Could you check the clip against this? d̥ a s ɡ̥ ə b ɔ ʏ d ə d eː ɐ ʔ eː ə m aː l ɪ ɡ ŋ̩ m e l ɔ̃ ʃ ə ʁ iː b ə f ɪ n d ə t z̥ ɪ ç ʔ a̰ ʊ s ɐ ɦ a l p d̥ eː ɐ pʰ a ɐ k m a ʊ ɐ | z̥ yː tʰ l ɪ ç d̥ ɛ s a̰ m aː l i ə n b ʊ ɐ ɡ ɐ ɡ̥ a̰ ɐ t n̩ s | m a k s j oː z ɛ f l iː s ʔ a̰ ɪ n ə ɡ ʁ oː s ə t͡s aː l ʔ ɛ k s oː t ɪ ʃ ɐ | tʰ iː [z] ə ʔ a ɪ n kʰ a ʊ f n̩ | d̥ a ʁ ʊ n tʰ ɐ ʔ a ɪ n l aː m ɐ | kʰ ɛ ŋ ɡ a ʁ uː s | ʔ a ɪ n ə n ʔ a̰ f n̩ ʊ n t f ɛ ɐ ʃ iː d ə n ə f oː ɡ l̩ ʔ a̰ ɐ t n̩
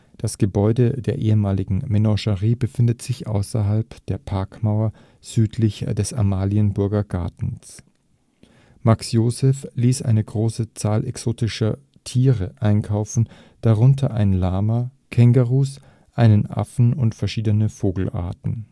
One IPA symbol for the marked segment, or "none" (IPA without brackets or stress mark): ʁ